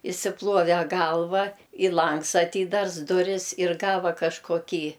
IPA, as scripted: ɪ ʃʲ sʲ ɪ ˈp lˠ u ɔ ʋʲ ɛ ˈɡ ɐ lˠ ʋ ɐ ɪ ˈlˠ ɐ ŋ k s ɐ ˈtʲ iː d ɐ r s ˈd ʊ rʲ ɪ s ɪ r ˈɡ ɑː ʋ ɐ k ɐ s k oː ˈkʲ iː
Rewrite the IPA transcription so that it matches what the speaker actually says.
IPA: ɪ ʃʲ sʲ ɪ ˈp lˠ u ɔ ʋʲ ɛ ˈɡ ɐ lˠ ʋ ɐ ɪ ˈlˠ ɐ ŋ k s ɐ ˈtʲ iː d ɐ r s ˈd ʊ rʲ ɪ s ɪ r ˈɡ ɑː ʋ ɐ k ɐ ʃ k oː ˈkʲ iː